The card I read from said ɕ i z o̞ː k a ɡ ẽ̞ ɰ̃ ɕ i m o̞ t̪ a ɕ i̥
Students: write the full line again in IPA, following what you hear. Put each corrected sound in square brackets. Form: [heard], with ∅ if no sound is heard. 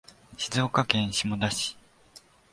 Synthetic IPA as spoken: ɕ i z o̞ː k a [k] ẽ̞ ɰ̃ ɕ i m o̞ [d̪] a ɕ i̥